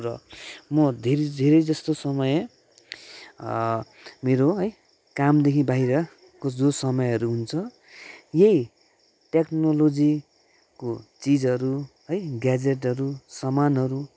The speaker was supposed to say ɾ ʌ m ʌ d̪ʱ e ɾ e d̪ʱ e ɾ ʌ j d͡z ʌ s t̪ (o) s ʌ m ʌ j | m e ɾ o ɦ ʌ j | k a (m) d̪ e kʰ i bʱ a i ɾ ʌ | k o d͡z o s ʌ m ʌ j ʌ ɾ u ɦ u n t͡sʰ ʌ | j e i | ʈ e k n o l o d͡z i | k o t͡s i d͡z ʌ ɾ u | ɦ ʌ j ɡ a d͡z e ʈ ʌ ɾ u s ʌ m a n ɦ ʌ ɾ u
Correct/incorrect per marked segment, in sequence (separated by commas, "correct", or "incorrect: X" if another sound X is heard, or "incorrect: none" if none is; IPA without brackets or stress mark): correct, correct